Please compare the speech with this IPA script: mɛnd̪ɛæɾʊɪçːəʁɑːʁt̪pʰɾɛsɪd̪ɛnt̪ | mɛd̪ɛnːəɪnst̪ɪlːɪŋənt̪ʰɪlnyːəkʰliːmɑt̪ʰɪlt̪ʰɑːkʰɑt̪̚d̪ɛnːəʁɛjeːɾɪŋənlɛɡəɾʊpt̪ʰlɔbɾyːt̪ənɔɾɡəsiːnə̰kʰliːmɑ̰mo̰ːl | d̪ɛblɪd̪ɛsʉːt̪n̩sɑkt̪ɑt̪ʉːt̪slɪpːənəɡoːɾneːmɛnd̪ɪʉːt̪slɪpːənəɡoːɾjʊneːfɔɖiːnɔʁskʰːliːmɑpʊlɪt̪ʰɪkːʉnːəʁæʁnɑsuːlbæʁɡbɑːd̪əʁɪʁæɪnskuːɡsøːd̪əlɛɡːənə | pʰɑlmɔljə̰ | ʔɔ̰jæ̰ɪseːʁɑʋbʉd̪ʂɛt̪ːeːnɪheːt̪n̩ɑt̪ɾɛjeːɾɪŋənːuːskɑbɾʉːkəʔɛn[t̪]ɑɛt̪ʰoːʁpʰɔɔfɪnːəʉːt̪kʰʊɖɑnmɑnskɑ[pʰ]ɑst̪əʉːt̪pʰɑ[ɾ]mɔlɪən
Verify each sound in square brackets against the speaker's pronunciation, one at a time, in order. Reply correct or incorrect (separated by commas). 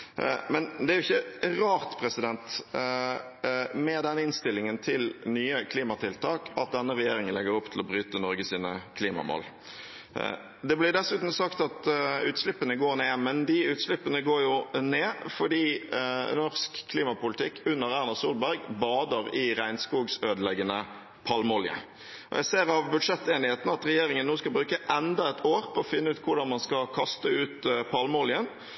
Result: incorrect, incorrect, incorrect